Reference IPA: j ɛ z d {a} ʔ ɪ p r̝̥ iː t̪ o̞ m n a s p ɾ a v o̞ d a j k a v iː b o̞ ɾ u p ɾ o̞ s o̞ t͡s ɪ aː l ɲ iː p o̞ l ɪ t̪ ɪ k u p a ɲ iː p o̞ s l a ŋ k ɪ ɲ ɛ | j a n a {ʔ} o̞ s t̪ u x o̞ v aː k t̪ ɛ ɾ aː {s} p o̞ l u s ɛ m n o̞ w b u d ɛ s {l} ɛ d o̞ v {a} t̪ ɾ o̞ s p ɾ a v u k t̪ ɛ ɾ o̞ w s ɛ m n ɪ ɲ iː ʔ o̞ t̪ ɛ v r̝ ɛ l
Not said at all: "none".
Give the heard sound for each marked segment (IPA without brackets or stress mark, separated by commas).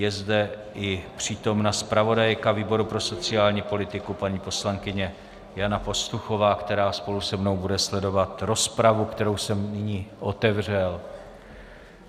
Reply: ɛ, p, s, l, a